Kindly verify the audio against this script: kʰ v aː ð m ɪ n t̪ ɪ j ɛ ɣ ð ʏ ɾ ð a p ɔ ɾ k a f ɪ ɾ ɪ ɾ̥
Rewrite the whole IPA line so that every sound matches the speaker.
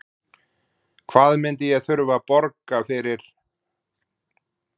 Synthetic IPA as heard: kʰ v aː ð m ɪ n t̪ ɪ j ɛ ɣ θ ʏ ɾ v a p ɔ ɾ k a f ɪ ɾ ɪ ɾ̥